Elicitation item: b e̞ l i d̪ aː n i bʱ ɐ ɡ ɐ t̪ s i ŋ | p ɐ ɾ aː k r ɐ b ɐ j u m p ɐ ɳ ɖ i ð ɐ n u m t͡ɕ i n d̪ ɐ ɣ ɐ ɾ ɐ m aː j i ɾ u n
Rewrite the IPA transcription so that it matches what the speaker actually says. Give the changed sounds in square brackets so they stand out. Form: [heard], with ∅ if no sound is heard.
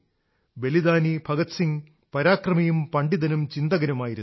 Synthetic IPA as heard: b e̞ l i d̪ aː n i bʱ ɐ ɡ ɐ t̪ s i ŋ | p ɐ ɾ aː k r ɐ [m] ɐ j u m p ɐ ɳ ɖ i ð ɐ n u m t͡ɕ i n d̪ ɐ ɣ ɐ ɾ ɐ m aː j i ɾ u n